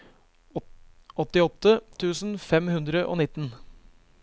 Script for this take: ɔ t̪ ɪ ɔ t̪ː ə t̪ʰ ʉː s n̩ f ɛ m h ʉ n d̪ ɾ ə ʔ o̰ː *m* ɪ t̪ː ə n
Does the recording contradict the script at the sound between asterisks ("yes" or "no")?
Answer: yes